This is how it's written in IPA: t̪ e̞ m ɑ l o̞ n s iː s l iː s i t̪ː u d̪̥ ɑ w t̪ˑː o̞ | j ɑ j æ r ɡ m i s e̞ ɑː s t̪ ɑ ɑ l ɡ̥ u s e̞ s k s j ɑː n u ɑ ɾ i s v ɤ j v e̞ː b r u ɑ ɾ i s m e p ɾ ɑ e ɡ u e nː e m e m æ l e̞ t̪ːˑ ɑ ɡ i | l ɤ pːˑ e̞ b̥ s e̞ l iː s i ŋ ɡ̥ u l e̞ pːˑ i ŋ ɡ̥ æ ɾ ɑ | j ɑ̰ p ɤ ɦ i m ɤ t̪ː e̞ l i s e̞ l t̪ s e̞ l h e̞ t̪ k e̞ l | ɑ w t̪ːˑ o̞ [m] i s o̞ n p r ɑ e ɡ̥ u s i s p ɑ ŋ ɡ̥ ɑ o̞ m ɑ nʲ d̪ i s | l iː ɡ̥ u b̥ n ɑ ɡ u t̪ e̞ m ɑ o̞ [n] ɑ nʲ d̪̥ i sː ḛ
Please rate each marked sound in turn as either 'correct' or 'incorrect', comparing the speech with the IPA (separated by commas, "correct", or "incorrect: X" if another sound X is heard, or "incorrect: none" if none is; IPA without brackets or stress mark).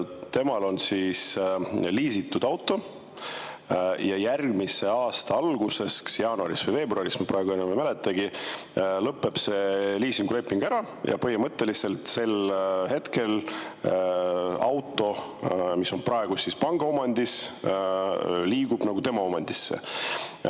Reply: correct, incorrect: m